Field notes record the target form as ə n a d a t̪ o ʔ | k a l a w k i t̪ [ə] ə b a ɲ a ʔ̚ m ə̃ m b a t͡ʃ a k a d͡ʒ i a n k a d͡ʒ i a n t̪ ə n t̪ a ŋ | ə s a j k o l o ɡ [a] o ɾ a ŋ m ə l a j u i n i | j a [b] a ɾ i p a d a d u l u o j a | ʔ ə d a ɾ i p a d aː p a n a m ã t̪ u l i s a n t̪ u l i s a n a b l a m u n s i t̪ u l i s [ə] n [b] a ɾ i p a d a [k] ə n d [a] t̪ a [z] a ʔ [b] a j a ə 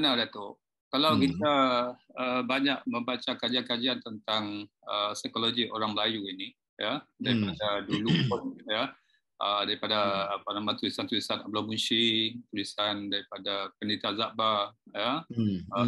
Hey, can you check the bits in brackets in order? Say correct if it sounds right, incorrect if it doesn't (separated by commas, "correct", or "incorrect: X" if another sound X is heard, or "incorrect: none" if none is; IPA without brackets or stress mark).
incorrect: a, incorrect: i, incorrect: d, incorrect: a, incorrect: d, incorrect: p, incorrect: i, correct, correct